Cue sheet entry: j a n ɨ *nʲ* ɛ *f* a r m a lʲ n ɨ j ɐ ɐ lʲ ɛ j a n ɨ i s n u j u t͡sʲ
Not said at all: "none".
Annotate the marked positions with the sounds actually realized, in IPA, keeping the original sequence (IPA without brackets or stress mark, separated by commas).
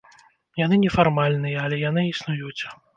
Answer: nʲ, f